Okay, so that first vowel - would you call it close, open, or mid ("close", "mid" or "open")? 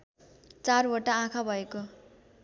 open